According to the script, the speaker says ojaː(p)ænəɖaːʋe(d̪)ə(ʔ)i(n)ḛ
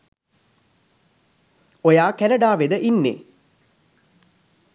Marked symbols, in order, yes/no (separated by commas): no, yes, yes, no